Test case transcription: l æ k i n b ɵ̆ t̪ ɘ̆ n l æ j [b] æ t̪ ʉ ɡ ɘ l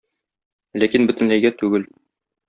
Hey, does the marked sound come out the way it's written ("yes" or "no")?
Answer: no